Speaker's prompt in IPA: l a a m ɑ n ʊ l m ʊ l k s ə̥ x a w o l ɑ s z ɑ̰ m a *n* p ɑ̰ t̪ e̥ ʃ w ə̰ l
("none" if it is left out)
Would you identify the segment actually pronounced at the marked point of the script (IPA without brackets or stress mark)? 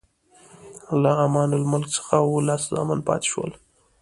n